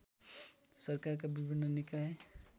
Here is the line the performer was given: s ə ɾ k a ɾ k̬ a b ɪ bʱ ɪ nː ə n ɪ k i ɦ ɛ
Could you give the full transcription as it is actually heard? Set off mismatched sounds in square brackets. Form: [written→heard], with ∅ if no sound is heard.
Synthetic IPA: s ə ɾ k a ɾ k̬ a b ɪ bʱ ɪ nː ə n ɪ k [i→a] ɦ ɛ